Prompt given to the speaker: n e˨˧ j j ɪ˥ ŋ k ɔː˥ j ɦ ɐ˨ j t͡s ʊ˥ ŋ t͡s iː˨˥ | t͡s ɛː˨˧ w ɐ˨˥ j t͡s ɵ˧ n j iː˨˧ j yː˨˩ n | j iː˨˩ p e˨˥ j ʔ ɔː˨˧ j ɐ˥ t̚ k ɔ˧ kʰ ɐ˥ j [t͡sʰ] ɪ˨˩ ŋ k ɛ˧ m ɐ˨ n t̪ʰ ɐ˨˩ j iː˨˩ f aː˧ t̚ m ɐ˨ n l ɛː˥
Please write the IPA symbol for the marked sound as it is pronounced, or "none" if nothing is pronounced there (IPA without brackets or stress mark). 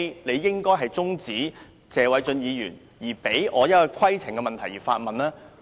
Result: t͡sʰ